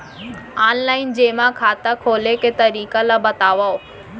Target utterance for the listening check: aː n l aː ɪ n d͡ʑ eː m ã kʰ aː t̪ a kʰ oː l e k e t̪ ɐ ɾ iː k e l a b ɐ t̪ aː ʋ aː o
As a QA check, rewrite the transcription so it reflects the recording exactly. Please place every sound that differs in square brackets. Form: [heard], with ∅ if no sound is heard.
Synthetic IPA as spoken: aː n l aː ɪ n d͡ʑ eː m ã kʰ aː t̪ a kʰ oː l e k e t̪ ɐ ɾ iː k [a] l a b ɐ t̪ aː ʋ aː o